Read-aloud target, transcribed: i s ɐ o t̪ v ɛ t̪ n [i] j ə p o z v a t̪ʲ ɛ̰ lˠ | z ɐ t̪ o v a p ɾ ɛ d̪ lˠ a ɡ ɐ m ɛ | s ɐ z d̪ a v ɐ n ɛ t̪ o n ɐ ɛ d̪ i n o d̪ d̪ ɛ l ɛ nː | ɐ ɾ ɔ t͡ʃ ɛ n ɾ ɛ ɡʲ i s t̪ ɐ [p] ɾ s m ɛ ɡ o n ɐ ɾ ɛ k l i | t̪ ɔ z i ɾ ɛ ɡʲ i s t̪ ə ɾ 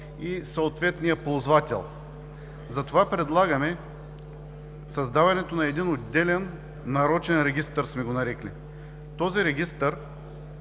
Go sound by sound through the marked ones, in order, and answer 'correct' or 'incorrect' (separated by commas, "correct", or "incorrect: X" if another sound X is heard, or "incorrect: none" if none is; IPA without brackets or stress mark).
correct, incorrect: none